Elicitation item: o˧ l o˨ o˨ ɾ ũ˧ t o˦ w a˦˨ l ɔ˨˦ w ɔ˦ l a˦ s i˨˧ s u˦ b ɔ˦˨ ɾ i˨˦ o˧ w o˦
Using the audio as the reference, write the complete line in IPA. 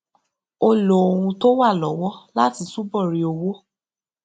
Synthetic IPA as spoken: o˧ l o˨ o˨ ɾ ũ˧ t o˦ w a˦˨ l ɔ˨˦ w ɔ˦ l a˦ t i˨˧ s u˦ b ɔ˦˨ ɾ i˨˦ o˧ w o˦